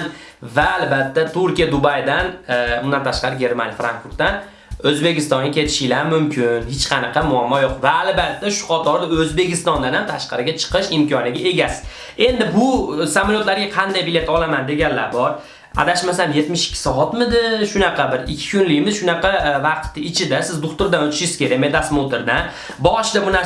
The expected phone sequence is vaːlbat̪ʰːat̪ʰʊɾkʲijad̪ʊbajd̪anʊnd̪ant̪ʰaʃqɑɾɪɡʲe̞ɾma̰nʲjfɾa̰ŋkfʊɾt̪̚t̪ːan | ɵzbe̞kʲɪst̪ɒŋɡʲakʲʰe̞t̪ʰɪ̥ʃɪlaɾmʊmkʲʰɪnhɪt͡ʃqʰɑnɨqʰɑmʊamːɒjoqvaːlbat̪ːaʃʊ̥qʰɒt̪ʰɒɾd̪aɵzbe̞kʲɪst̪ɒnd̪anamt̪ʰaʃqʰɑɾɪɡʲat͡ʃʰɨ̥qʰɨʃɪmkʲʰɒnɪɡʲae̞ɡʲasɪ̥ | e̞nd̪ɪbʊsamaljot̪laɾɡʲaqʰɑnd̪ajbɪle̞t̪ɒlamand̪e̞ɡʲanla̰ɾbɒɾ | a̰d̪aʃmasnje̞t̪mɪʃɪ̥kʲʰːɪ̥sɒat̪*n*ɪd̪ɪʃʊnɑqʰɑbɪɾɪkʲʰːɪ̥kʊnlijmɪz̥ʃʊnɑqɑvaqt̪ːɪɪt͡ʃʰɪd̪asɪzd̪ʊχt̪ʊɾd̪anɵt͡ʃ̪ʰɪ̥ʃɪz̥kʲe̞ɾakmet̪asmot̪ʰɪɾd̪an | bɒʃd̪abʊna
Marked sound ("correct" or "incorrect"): incorrect